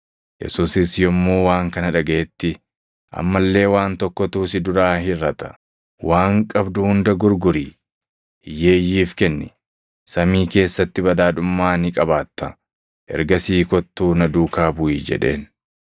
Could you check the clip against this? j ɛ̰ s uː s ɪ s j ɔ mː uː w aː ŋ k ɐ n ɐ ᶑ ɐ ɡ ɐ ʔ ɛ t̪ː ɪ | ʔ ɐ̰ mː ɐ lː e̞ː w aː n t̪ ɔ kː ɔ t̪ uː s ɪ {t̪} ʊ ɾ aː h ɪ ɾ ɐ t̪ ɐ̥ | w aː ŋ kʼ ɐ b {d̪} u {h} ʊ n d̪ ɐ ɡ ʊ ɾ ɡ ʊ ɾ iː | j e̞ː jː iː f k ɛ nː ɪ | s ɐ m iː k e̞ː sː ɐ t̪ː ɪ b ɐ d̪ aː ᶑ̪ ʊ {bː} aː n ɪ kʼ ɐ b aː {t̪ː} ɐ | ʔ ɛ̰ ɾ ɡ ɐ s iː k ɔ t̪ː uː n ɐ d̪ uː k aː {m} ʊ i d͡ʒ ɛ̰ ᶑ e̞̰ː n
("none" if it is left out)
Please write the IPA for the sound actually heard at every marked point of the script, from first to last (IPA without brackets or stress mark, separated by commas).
d̪, d̪, h, mː, t̪ː, b